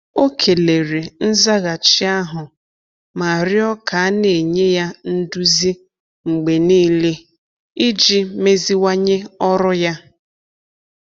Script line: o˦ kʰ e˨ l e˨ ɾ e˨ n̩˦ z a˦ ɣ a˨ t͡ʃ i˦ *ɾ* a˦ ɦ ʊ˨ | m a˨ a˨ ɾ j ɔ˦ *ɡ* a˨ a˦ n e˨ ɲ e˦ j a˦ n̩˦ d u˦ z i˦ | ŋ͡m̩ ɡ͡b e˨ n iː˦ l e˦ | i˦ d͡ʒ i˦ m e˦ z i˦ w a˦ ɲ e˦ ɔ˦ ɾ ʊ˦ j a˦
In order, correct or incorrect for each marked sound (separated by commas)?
incorrect, incorrect